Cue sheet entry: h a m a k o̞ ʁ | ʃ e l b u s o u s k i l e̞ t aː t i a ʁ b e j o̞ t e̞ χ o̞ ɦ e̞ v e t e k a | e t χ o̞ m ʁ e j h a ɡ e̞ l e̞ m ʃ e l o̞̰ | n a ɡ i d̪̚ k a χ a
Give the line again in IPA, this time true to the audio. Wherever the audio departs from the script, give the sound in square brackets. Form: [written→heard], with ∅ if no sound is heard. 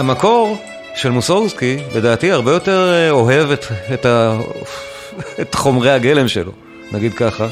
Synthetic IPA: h a m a k o̞ ʁ | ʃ e l [b→m] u s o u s k i l e̞ [t→d] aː t i a ʁ b e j o̞ t e̞ [χ→ʁ] o̞ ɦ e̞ v e t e [k→t] a | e t χ o̞ m ʁ e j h a ɡ e̞ l e̞ m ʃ e l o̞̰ | n a ɡ i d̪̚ k a χ a